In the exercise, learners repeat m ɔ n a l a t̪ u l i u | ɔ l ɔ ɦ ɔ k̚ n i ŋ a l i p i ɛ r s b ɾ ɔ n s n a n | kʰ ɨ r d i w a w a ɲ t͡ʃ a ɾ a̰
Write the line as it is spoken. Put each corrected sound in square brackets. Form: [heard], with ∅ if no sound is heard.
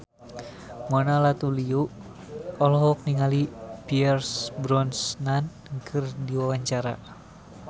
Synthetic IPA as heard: m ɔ n a l a t̪ u l i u | ɔ l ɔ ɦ ɔ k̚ n i ŋ a l i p i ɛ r s b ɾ ɔ n s n a n | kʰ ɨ r d i w a w a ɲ t͡ʃ a ɾ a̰

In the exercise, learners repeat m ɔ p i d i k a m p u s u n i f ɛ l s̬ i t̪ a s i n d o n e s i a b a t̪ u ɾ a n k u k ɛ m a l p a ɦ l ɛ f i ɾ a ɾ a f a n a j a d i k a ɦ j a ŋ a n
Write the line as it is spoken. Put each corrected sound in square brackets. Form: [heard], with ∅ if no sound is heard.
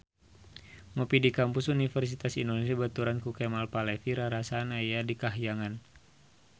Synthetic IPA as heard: m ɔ p i d i k a m p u s u n i f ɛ [r] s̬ i t̪ a s i n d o n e s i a b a t̪ u ɾ a n k u k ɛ m a l p a [∅] l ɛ f i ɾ a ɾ a [s] a n a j a d i k a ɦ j a ŋ a n

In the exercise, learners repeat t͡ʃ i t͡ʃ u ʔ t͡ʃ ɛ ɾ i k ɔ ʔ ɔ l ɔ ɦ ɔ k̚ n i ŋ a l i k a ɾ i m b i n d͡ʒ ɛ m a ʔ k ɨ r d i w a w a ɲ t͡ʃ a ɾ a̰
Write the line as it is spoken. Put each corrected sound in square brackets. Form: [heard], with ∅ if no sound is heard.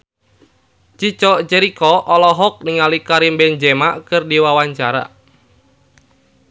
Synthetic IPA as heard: t͡ʃ i t͡ʃ [ɔ] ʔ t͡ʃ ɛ ɾ i k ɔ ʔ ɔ l ɔ ɦ ɔ k̚ n i ŋ a l i k a ɾ i m b [ɛ] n d͡ʒ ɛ m a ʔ k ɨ r d i w a w a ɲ t͡ʃ a ɾ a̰

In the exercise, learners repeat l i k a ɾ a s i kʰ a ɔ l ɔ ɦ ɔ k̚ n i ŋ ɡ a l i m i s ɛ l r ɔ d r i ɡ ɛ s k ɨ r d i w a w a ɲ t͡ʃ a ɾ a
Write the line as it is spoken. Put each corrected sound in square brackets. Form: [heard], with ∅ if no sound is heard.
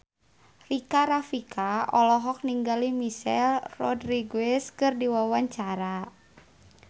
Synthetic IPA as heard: [r] i k a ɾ a [f] i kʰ a ɔ l ɔ ɦ ɔ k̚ n i ŋ ɡ a l i m i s ɛ l r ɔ d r i ɡ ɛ s k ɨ r d i w a w a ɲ t͡ʃ a ɾ a

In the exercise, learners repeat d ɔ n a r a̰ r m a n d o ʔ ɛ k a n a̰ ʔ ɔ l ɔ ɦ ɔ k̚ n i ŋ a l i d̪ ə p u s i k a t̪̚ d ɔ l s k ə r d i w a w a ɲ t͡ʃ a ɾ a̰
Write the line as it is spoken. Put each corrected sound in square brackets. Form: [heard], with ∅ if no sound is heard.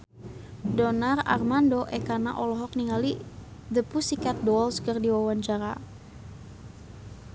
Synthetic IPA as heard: d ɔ n a r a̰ r m a n d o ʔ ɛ k a n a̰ ʔ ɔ l ɔ ɦ ɔ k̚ n i ŋ a l i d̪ ə p u s i k a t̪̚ d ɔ l s k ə r d i w a w a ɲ t͡ʃ a ɾ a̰

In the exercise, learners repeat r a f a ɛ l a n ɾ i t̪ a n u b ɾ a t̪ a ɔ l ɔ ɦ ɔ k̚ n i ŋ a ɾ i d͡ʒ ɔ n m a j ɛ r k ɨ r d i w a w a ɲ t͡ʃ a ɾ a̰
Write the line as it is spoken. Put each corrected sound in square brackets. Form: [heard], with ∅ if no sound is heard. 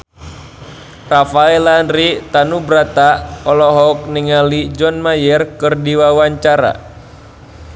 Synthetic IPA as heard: r a f a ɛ l a n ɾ i t̪ a n u b ɾ a t̪ a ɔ l ɔ ɦ ɔ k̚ n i ŋ a [l] i d͡ʒ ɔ n m a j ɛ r k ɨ r d i w a w a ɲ t͡ʃ a ɾ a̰

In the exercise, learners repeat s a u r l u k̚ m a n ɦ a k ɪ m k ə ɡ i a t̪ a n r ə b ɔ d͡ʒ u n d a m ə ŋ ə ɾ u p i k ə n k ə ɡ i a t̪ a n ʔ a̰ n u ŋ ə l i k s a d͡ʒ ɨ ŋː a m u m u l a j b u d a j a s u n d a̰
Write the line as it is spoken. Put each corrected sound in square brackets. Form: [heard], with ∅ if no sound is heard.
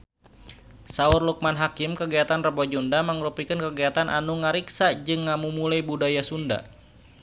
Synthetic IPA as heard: s a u r l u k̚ m a n ɦ a k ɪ m k ə ɡ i a t̪ a n r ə b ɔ d͡ʒ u n d a m ə ŋ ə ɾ u p i k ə n k ə ɡ i a t̪ a n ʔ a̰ n u ŋ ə [ɾ] i k s a d͡ʒ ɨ ŋː a m u m u l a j b u d a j a s u n d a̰

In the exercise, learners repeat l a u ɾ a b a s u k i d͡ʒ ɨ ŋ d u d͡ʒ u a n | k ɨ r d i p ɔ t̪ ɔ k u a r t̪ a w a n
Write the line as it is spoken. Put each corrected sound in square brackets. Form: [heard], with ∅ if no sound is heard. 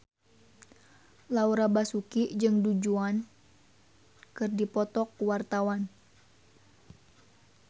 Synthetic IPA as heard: l a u ɾ a b a s u k i d͡ʒ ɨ ŋ d u d͡ʒ u a n | k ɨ r d i p ɔ t̪ ɔ k [w] a r t̪ a w a n

